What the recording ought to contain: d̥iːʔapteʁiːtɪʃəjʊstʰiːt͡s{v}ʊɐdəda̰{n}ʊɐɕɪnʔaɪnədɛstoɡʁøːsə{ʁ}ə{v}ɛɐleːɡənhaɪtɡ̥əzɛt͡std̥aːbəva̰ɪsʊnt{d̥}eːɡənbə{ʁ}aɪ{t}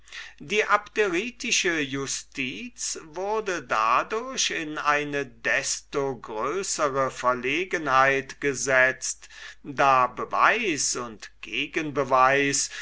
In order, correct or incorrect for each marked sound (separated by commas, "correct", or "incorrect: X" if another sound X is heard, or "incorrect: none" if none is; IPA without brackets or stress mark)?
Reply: correct, incorrect: d, correct, incorrect: f, incorrect: ɡ̥, incorrect: v, incorrect: s